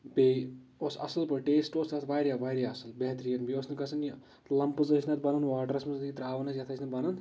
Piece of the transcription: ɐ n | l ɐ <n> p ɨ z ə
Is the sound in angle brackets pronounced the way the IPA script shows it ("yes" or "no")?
no